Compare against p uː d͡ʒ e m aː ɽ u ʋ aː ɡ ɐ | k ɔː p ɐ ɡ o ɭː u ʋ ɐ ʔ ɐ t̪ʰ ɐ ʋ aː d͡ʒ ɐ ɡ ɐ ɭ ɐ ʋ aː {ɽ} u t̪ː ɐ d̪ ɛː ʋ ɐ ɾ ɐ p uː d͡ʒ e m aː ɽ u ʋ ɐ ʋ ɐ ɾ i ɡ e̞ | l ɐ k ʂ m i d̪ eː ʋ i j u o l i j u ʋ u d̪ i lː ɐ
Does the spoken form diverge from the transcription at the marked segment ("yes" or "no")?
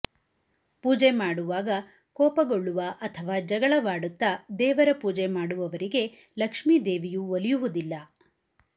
no